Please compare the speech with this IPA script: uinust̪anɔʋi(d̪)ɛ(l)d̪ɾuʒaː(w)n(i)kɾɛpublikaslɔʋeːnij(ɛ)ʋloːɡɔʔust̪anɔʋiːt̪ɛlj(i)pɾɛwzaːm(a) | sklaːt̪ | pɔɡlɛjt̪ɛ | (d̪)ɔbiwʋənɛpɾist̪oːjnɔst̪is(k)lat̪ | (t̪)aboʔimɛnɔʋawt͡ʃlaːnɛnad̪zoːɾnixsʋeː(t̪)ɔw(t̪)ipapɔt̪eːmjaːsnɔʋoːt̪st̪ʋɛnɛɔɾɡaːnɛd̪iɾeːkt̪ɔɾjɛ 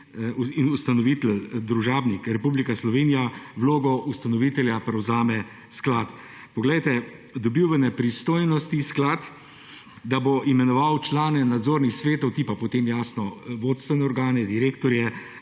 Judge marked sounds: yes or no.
no, yes, no, yes, no, no, no, yes, yes, no, yes, yes

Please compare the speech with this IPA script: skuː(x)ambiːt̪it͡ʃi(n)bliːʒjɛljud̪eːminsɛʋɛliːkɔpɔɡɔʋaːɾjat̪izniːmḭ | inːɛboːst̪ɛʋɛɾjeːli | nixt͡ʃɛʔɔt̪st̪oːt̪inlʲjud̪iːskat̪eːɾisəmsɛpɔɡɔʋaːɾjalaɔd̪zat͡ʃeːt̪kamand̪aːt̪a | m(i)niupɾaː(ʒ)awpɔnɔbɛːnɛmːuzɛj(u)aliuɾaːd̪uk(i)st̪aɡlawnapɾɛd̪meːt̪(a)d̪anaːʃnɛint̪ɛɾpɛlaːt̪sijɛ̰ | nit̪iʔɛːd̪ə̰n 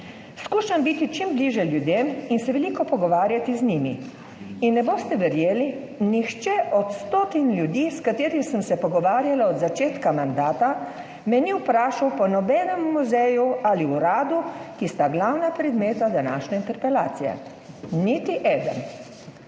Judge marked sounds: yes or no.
no, no, no, no, yes, yes, yes

